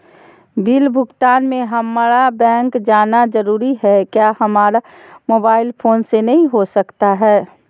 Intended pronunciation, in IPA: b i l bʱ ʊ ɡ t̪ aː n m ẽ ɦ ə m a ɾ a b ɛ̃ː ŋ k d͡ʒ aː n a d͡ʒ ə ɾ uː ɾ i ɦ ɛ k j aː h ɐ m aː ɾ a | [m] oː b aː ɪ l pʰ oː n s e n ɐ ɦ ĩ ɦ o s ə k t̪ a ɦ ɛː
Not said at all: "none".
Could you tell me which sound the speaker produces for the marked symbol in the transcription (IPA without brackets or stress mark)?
m